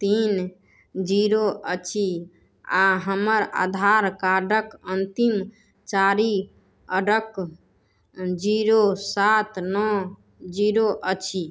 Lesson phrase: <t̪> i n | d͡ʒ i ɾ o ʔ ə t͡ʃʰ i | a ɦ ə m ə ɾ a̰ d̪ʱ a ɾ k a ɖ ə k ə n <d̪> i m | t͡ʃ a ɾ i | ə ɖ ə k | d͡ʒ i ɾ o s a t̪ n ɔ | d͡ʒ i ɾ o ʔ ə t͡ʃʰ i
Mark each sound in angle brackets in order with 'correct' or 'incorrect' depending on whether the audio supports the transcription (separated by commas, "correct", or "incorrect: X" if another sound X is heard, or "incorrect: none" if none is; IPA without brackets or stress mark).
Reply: correct, incorrect: t̪